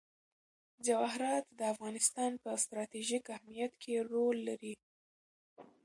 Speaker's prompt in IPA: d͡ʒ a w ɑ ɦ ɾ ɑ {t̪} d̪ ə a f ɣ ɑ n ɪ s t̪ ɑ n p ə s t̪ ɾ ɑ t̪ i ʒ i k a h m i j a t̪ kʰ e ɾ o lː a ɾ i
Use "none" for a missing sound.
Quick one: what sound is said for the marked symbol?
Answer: t̪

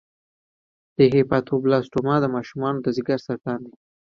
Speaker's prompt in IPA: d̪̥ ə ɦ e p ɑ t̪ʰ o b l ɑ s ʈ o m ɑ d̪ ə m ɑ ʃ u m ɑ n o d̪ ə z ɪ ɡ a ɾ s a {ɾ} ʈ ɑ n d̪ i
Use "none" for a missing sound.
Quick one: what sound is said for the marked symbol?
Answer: ɾ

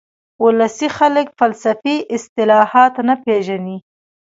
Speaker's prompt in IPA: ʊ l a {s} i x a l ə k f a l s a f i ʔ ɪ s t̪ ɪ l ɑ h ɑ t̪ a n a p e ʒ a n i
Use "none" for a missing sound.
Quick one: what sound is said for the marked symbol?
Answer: s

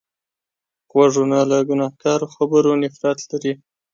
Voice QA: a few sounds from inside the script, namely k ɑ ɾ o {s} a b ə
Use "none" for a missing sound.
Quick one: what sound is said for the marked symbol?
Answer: x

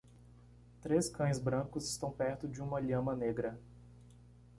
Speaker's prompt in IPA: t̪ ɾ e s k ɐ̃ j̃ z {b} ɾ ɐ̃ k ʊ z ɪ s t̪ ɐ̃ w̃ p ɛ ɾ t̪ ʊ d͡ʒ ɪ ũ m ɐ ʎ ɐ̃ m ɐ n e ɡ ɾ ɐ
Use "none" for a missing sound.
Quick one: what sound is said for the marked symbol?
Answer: b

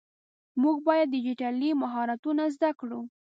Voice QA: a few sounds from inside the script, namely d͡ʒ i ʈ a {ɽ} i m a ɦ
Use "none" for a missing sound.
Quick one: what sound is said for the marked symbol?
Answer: l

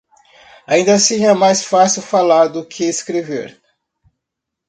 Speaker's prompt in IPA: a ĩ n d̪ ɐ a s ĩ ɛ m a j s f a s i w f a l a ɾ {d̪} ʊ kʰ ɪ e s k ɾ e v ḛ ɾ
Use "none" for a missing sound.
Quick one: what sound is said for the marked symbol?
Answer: d̪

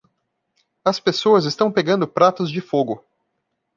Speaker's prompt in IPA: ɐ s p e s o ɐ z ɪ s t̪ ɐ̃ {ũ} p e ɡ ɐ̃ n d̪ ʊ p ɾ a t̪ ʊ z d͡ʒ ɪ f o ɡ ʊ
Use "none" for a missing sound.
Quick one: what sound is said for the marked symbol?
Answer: w̃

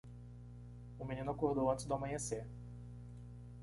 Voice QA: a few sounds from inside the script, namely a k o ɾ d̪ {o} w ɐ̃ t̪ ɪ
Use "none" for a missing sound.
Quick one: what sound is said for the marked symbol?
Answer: o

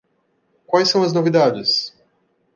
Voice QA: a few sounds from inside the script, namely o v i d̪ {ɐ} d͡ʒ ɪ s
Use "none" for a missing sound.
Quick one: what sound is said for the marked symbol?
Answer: a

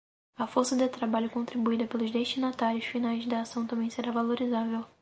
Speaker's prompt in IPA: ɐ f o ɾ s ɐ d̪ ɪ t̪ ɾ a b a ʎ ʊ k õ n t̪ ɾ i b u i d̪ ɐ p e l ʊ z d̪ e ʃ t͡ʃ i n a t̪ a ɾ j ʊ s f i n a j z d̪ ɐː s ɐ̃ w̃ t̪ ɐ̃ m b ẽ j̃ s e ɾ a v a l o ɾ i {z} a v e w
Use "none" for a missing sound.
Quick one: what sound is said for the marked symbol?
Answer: z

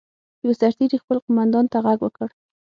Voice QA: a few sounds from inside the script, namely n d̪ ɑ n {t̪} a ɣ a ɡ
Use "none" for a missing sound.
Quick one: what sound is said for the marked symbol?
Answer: t̪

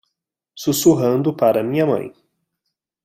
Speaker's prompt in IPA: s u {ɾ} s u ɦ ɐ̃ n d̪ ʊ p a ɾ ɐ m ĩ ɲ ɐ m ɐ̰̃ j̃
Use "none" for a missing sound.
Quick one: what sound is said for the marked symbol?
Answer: none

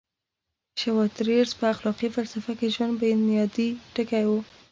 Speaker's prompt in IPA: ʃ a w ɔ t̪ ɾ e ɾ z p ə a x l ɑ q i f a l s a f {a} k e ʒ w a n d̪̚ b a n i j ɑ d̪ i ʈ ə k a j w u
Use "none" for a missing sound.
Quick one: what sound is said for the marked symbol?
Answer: a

